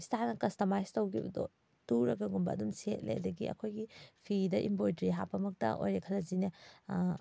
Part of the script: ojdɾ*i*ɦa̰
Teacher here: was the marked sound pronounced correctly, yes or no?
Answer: yes